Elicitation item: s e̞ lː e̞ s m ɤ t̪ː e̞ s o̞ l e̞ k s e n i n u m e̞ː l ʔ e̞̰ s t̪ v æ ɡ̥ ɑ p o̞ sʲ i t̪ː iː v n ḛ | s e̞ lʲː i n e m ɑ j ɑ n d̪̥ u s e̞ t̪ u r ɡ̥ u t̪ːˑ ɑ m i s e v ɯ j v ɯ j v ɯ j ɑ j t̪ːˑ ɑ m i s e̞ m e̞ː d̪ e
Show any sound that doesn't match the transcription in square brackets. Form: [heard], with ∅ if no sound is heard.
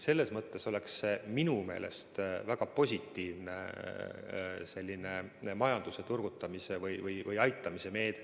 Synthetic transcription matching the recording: s e̞ lː e̞ s m ɤ t̪ː e̞ s o̞ l e̞ k s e [m] i n u m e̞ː l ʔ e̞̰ s t̪ v æ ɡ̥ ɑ p o̞ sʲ i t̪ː iː v n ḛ | s e̞ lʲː i n e m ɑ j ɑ n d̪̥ u s e̞ t̪ u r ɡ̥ u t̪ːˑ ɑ m i s e v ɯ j v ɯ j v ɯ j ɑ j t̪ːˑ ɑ m i s e̞ m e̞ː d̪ e